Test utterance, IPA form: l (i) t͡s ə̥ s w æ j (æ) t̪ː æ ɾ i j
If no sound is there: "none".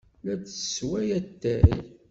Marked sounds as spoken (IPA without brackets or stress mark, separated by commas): æ, æ